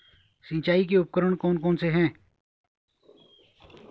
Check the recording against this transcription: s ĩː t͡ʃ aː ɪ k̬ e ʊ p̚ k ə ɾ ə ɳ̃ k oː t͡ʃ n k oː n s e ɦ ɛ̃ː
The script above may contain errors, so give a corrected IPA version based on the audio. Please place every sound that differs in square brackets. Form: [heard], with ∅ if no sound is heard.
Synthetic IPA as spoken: s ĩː t͡ʃ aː [i] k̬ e ʊ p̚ k ə ɾ ə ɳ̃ k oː [∅] n k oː n s e ɦ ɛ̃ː